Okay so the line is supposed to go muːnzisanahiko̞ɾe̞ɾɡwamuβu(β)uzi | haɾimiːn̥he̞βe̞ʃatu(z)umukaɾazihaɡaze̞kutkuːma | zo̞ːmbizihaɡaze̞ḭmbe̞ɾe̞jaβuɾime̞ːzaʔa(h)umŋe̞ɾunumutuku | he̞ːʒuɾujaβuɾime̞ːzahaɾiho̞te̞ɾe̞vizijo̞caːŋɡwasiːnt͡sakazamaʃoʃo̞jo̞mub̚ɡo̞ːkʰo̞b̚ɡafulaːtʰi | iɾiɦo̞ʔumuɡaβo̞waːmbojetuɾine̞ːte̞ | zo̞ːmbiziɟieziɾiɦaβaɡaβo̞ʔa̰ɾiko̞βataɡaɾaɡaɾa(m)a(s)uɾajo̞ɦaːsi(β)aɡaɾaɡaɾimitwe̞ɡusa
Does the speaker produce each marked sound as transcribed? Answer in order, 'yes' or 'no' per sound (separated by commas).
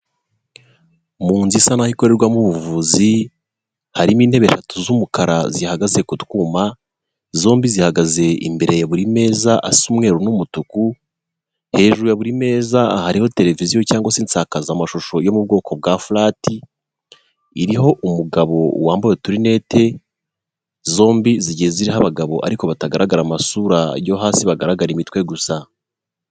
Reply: no, yes, no, yes, yes, yes